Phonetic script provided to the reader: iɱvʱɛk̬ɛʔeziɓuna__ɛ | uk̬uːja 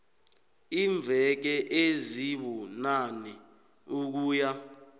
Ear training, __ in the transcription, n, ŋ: n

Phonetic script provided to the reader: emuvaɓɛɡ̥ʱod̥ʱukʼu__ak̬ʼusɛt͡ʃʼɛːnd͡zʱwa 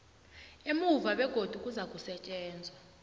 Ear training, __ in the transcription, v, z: z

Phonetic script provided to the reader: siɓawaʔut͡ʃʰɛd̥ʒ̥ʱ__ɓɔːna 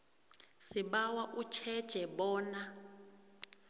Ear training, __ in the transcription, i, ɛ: ɛ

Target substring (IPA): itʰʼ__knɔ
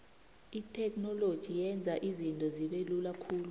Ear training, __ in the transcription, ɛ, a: ɛ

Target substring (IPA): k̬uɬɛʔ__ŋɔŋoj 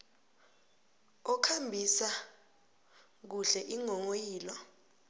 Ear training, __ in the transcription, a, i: i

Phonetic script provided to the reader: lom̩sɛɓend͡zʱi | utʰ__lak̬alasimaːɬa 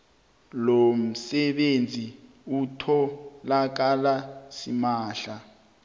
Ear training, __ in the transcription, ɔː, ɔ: ɔ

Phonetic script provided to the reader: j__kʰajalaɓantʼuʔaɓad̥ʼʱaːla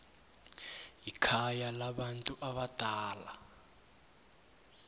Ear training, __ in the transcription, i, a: i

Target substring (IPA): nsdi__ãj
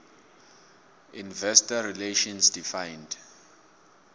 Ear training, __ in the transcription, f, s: f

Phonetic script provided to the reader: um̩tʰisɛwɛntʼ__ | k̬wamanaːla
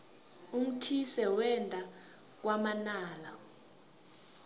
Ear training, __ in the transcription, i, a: a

